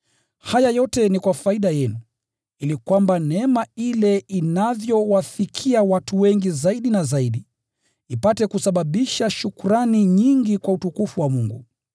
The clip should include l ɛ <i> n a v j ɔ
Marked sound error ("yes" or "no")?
no